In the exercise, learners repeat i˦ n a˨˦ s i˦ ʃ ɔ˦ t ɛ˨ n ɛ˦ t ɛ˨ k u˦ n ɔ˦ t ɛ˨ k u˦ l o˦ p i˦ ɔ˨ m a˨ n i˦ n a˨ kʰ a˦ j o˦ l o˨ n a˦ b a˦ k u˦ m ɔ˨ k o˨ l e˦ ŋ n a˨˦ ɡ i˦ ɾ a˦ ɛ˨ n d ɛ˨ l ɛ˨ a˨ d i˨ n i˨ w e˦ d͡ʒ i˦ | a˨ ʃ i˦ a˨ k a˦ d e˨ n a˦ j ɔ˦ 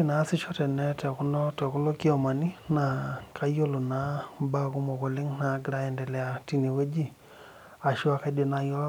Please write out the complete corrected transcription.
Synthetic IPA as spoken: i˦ n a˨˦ s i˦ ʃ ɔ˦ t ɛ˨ n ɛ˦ t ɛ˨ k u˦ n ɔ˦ t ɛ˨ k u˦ l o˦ k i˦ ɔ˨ m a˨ n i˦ n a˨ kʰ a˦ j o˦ l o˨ n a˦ b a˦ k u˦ m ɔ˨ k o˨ l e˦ ŋ n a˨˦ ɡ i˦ ɾ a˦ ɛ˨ n d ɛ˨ l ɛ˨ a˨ t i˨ n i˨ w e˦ d͡ʒ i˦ | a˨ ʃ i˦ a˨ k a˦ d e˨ n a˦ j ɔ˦